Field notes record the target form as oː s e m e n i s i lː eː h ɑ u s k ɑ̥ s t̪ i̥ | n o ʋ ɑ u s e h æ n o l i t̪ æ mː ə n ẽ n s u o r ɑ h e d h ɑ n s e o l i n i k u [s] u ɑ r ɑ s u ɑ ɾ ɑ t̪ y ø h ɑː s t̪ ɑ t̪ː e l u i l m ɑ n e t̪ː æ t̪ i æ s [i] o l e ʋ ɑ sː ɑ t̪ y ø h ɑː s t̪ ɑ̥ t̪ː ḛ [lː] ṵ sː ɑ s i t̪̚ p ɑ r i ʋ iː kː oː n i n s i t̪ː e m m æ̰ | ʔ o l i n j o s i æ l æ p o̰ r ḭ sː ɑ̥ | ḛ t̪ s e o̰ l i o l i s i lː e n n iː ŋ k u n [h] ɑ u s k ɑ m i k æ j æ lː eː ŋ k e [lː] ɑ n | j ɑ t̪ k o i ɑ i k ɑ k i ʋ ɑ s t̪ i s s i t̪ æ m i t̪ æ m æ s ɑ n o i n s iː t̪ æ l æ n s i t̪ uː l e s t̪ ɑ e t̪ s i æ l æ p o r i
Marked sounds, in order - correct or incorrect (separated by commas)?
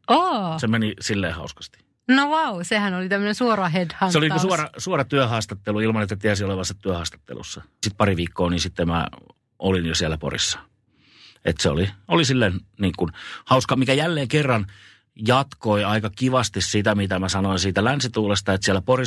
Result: correct, correct, incorrect, correct, incorrect